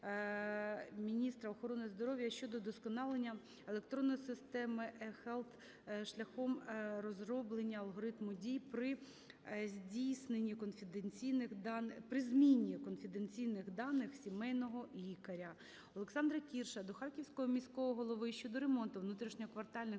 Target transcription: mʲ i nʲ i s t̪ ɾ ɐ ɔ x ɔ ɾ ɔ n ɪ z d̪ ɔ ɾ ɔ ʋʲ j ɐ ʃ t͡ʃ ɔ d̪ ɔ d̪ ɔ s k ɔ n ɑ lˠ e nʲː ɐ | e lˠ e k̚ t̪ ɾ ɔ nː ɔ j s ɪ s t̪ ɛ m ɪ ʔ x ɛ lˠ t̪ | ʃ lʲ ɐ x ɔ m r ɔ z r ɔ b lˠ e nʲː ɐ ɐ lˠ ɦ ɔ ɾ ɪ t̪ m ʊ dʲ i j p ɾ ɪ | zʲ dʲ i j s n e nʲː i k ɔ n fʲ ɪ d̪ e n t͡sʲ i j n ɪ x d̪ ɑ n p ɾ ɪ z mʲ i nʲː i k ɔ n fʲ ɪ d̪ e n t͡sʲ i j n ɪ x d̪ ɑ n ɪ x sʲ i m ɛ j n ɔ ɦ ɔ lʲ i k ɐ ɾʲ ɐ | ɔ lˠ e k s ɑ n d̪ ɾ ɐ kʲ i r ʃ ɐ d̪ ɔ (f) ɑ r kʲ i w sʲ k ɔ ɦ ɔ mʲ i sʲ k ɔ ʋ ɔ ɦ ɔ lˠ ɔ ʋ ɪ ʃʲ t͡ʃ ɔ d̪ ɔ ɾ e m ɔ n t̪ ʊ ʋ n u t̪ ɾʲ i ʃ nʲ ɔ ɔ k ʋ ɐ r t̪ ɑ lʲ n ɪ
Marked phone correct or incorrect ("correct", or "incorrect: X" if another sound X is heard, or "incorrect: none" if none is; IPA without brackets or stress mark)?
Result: incorrect: x